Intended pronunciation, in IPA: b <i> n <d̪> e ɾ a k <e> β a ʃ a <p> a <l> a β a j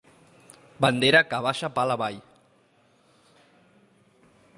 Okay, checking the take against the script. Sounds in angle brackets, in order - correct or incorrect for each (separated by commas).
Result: incorrect, correct, incorrect, correct, correct